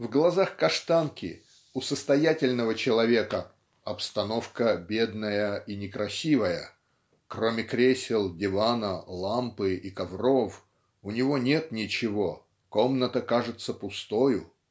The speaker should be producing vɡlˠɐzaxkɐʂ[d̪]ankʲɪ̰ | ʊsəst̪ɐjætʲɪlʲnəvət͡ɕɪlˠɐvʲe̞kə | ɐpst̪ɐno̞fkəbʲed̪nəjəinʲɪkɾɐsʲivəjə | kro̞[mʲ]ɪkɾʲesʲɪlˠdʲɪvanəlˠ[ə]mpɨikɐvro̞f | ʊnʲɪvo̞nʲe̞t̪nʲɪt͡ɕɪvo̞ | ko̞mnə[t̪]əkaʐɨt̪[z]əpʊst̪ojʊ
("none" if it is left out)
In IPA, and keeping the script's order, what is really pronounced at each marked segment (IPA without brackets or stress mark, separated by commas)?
t̪, mʲ, a, t̪, s